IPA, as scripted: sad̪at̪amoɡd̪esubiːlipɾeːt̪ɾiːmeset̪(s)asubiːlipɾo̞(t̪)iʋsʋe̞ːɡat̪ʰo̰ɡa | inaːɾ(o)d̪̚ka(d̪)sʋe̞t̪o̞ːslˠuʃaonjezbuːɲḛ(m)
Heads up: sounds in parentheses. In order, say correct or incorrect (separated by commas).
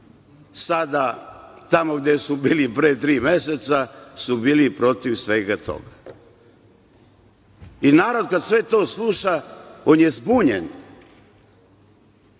correct, correct, correct, correct, incorrect